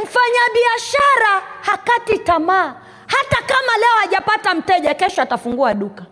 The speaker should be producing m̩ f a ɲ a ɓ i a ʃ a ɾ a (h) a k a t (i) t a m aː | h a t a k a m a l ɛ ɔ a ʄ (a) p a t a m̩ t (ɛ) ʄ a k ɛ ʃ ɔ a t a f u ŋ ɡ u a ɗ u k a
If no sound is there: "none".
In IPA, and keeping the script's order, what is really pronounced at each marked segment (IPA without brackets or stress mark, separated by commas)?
h, i, a, ɛ